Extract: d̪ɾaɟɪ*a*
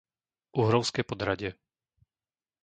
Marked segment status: incorrect: ɛ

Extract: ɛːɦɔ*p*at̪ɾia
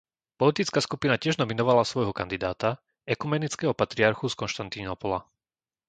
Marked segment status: correct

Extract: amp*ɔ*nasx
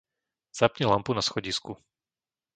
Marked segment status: incorrect: u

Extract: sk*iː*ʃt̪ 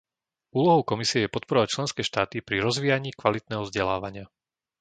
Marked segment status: incorrect: ɛː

